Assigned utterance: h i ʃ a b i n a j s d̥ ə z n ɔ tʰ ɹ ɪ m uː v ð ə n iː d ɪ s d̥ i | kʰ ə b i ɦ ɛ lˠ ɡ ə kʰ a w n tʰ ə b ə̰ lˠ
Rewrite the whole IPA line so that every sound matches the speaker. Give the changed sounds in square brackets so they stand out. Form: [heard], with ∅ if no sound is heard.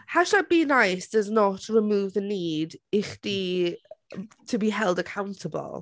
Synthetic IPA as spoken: h [a] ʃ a b i n a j s d̥ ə z n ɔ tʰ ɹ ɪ m uː v ð ə n iː d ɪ [χ] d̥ i | [tʰ] ə b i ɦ ɛ lˠ [d] ə kʰ a w n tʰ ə b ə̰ lˠ